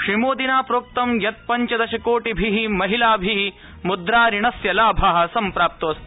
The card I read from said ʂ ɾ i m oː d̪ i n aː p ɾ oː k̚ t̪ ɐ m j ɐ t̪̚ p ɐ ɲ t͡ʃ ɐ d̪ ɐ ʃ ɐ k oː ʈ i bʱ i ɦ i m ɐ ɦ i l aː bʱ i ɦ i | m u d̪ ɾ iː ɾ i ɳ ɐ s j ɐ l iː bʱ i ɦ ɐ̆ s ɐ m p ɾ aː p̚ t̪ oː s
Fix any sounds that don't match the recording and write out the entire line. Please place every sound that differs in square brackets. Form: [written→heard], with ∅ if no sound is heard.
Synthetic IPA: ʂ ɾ i m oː d̪ i n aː p ɾ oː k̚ t̪ ɐ m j ɐ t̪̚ p ɐ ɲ t͡ʃ ɐ d̪ ɐ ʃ ɐ k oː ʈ i bʱ i ɦ i m ɐ ɦ i l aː bʱ i ɦ i | m u d̪ ɾ [iː→aː] ɾ i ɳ ɐ s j ɐ l [iː→aː] bʱ [i→a] ɦ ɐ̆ s ɐ m p ɾ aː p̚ t̪ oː s